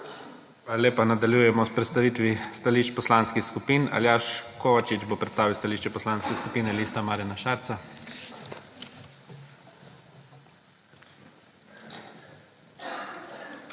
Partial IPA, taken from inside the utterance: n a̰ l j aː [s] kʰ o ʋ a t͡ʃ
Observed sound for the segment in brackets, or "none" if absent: ʃ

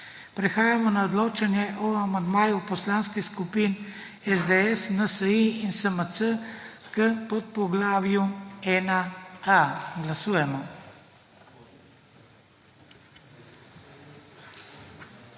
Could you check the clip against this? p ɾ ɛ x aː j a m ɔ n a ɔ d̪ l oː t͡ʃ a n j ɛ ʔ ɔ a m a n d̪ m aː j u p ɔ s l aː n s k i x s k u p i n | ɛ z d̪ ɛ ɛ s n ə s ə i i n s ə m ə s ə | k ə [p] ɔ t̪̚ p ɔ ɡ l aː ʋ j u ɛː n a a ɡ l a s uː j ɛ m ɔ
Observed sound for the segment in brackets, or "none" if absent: p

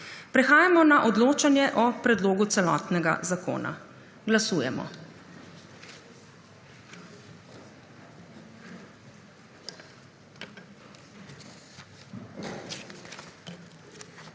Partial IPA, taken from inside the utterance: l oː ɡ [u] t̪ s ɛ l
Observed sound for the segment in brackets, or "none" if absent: u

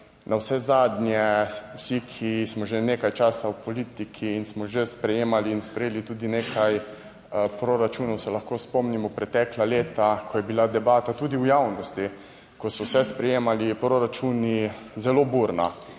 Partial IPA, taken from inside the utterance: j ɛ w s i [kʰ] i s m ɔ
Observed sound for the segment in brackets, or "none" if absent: kʰ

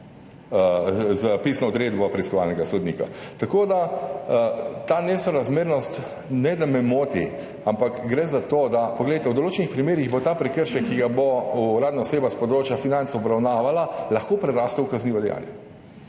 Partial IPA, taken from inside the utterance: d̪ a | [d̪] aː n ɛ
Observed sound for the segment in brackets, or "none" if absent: t̪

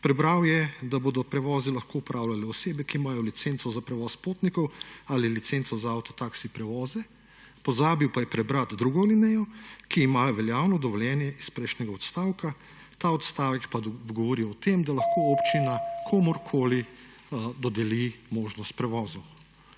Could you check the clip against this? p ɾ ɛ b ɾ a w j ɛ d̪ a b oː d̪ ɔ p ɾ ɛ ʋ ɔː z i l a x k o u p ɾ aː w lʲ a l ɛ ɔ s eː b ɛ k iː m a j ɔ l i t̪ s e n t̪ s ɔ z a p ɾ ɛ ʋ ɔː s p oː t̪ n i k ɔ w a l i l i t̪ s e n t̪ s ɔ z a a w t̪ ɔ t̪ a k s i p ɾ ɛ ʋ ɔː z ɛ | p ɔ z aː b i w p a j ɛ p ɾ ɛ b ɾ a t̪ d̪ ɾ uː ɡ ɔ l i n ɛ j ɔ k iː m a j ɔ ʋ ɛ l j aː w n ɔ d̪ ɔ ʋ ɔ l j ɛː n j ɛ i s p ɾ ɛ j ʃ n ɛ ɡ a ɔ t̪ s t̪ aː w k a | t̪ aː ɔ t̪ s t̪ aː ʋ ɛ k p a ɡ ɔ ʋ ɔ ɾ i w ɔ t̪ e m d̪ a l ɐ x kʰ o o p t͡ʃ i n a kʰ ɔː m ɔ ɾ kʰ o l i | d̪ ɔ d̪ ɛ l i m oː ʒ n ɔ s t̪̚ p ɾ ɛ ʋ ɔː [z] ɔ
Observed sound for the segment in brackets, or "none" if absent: z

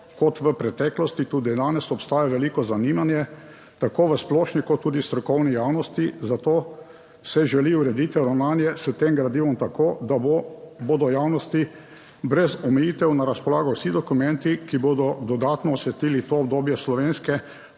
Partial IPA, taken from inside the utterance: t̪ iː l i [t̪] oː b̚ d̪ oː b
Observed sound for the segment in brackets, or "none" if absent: t̪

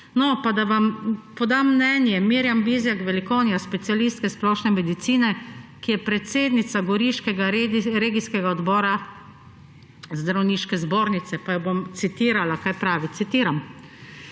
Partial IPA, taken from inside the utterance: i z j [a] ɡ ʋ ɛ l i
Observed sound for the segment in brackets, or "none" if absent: a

